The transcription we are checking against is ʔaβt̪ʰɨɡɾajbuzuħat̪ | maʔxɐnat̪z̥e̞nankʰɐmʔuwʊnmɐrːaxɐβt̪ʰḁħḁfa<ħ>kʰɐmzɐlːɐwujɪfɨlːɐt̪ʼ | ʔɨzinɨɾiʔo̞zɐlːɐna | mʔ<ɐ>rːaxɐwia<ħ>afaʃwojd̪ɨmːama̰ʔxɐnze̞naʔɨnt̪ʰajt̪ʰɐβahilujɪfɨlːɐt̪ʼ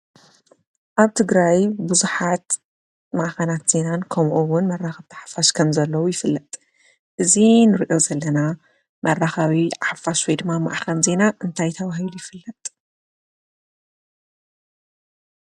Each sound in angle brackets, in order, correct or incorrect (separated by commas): incorrect, correct, correct